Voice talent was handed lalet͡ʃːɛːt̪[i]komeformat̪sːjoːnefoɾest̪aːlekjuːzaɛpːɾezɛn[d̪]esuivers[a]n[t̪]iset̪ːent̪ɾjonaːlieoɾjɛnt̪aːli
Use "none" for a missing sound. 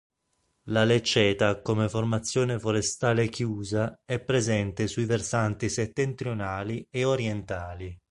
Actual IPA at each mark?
a, t̪, a, t̪

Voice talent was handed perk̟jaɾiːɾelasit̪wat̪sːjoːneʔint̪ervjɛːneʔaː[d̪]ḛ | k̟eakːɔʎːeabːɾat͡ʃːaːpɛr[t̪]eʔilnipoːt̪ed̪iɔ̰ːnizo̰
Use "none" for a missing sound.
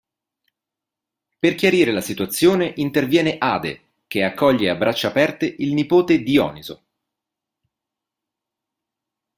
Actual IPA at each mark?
d̪, t̪

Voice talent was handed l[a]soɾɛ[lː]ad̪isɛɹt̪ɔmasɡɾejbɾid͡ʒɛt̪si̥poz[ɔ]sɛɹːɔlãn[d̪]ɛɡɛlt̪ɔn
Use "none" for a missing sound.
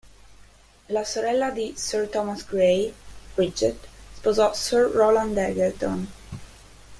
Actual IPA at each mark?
a, lː, ɔ, d̪

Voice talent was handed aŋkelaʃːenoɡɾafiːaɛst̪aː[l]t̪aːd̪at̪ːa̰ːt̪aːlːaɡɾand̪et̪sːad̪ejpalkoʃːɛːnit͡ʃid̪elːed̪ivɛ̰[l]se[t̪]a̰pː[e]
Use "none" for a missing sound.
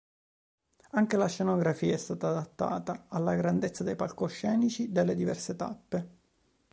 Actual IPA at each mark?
none, r, t̪, e

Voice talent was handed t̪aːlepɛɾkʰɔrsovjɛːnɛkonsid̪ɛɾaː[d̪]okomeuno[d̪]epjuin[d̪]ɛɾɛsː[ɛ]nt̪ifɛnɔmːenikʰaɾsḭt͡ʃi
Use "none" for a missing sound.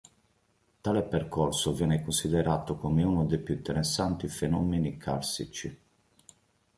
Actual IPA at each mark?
t̪, d̪, t̪, a

